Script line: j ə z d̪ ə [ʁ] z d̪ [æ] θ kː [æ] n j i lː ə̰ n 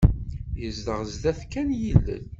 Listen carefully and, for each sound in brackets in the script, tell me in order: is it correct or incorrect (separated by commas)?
correct, correct, correct